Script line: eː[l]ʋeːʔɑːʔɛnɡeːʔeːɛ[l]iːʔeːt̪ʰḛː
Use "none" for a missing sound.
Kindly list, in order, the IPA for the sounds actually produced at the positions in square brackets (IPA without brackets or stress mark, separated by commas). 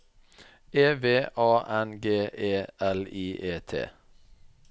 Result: none, l